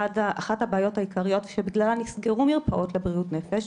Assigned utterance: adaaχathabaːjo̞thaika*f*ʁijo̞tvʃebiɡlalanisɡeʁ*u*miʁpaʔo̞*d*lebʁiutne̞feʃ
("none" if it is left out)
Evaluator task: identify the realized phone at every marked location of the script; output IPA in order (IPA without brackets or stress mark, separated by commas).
none, u, t